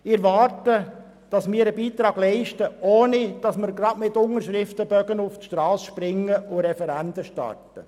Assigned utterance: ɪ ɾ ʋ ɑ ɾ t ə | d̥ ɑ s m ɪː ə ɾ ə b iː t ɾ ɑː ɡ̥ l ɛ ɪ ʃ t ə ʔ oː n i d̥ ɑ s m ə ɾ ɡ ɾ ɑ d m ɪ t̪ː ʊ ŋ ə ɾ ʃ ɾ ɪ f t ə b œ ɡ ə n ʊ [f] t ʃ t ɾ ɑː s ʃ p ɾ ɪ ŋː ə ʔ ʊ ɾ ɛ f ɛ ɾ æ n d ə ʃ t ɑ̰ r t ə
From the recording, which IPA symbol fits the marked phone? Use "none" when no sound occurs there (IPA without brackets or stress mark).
f